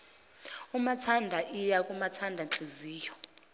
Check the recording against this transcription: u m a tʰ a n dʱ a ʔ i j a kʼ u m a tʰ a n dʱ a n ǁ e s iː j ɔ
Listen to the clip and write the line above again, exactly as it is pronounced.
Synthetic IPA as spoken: u m a tʰ a n dʱ a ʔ i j a kʼ u m a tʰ a n dʱ a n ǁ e z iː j ɔ